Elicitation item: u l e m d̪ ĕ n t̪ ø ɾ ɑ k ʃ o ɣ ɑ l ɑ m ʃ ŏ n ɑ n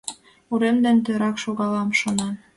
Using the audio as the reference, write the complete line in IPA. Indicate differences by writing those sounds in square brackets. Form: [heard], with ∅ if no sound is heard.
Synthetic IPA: u [ɾ] e m d̪ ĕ n t̪ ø ɾ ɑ k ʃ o ɣ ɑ l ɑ m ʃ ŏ n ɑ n